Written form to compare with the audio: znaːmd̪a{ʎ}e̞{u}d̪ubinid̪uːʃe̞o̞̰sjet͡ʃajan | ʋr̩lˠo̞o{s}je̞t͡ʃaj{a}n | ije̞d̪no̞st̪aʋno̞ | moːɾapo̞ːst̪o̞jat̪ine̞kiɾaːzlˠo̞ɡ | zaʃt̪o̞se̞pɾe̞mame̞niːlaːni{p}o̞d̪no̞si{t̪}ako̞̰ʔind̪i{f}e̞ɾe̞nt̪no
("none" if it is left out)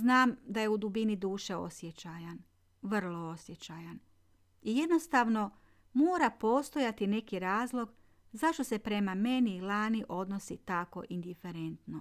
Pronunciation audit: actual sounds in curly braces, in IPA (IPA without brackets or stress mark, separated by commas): j, u, s, a, ʔ, t̪, f